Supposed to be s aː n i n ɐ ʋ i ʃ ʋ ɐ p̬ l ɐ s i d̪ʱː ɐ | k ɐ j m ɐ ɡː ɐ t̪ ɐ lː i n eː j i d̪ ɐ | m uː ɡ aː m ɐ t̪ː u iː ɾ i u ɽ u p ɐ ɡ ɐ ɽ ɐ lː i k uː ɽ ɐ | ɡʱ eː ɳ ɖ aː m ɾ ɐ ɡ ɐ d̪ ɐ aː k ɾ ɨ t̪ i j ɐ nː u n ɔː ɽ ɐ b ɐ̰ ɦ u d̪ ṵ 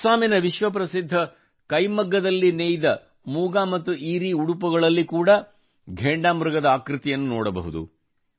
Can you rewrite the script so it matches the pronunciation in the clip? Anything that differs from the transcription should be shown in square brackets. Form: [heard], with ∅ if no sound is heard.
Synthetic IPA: s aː [m] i n ɐ ʋ i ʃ ʋ ɐ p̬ [ɾ] ɐ s i d̪ʱː ɐ | k ɐ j m ɐ ɡː ɐ [d̪] ɐ lː i n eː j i d̪ ɐ | m uː ɡ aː m ɐ t̪ː u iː ɾ i u ɽ u p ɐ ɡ ɐ [ɭ] ɐ lː i k uː ɽ ɐ | ɡʱ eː ɳ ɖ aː m ɾ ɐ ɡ ɐ d̪ ɐ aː k ɾ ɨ t̪ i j ɐ nː u n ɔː ɽ ɐ b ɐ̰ ɦ u d̪ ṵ